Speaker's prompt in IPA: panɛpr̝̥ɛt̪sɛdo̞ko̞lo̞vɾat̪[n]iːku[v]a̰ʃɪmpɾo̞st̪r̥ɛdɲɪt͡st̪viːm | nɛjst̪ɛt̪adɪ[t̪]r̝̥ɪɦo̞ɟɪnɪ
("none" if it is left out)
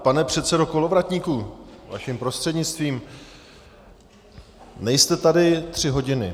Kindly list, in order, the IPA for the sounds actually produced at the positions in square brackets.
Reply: ɲ, v, t̪

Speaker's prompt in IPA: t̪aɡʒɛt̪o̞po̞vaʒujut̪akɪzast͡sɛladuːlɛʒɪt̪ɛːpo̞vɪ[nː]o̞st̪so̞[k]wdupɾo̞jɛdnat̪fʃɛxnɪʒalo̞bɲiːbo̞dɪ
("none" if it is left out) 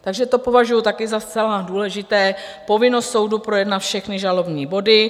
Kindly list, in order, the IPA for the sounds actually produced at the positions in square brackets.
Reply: n, none

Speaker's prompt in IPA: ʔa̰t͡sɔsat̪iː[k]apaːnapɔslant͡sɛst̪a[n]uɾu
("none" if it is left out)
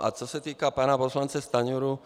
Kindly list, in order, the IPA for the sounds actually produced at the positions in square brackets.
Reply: k, ɲ

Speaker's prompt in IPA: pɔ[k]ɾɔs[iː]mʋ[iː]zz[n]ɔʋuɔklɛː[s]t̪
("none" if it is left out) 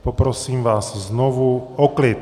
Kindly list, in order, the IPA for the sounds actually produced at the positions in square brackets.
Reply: p, iː, aː, n, none

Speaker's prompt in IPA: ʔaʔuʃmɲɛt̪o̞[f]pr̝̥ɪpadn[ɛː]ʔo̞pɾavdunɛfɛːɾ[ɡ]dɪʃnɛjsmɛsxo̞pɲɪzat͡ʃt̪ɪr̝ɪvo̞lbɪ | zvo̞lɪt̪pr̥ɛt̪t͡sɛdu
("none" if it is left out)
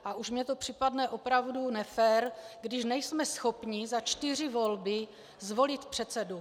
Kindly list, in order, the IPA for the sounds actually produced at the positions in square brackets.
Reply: none, ɛ, ɡ

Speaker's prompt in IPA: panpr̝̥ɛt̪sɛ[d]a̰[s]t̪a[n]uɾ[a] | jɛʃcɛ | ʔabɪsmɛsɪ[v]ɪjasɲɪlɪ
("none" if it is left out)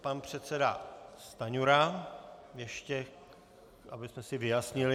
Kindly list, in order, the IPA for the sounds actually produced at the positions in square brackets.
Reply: d, s, ɲ, a, v

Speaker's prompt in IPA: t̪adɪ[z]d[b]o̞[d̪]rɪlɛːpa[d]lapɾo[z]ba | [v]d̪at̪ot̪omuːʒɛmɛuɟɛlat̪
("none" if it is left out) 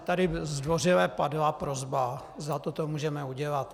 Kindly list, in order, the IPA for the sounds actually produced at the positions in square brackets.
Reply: z, v, none, d, z, z

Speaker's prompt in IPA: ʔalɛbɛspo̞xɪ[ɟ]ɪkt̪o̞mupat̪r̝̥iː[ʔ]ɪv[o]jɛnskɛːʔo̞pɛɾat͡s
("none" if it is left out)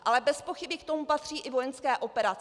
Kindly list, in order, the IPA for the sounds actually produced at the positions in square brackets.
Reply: b, ʔ, o

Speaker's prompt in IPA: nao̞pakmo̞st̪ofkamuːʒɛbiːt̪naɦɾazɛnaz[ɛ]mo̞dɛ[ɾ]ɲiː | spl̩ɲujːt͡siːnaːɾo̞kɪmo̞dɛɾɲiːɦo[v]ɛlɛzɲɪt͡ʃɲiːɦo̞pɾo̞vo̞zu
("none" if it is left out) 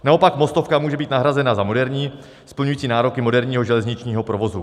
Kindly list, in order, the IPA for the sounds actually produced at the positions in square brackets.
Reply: a, ɾ, ʒ

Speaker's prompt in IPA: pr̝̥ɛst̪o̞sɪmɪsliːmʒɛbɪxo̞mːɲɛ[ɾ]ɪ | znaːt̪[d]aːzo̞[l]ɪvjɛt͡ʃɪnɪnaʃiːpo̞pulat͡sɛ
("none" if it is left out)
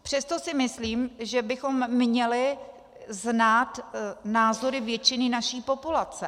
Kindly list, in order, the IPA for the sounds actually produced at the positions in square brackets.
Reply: l, n, ɾ

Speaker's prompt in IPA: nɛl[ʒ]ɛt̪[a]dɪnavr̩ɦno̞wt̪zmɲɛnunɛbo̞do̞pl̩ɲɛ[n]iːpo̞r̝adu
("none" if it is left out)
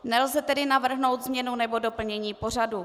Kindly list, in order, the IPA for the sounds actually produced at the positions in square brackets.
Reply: z, ɛ, ɲ

